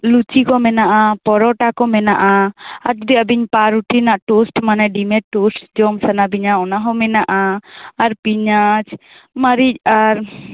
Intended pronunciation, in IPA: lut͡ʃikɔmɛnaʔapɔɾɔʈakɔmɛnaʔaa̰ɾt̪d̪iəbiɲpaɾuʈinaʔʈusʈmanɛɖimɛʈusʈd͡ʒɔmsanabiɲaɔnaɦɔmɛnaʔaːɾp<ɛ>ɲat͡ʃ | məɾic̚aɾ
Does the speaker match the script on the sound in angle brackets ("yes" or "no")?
no